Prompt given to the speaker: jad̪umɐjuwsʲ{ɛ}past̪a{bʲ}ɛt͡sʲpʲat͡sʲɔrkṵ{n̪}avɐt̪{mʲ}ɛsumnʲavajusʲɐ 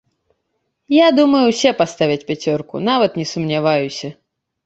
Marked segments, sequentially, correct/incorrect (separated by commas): correct, incorrect, correct, incorrect